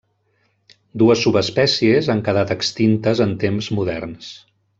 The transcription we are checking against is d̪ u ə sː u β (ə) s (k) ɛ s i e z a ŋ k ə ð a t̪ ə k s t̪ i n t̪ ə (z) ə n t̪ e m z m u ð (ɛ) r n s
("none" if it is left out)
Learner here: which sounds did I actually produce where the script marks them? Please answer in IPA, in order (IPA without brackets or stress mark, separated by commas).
ə, p, z, ɛ